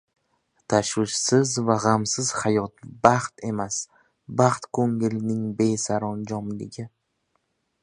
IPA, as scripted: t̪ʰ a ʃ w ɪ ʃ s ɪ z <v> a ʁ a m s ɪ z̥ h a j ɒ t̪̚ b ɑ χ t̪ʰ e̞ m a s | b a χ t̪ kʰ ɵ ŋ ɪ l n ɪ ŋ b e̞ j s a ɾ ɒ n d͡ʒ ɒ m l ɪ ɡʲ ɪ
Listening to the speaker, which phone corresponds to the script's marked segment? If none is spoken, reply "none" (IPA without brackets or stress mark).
v